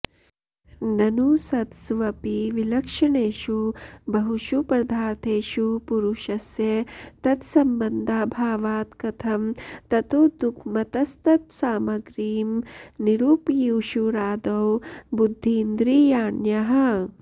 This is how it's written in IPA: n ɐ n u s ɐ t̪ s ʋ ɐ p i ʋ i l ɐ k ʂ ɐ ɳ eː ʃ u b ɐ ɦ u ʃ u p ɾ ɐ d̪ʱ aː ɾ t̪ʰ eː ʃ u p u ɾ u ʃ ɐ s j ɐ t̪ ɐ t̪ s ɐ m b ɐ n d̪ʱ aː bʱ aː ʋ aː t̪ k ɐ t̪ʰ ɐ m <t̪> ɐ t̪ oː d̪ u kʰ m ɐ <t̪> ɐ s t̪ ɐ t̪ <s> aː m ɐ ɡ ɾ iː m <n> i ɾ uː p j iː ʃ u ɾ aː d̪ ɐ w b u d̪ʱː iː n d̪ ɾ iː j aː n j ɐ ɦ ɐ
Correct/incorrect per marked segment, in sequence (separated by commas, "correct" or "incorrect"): correct, correct, correct, correct